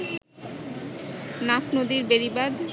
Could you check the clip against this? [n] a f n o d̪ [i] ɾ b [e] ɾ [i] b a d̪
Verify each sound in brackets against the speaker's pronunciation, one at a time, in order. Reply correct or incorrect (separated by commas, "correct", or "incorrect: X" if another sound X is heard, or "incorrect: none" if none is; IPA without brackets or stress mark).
correct, correct, correct, correct